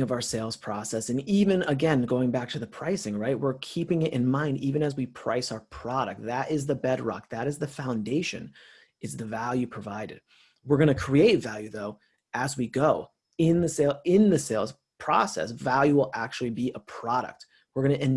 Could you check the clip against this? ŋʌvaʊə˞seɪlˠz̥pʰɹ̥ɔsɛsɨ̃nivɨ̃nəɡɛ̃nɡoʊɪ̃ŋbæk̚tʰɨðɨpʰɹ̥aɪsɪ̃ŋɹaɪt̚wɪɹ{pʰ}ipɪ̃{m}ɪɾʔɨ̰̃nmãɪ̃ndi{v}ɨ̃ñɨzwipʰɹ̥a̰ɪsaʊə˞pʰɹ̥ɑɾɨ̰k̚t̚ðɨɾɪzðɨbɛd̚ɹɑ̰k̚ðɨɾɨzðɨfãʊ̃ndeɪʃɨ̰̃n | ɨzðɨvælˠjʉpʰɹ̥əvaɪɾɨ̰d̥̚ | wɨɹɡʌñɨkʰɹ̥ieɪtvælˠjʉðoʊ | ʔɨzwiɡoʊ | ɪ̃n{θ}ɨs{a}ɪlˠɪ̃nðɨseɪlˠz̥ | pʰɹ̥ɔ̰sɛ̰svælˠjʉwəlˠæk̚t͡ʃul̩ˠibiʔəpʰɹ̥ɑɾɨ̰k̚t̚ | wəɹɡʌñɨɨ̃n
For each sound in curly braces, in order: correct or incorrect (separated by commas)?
incorrect, incorrect, correct, incorrect, incorrect